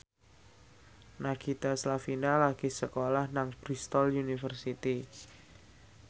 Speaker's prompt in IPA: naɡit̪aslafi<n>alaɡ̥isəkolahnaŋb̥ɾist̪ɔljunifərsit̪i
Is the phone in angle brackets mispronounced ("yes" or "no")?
no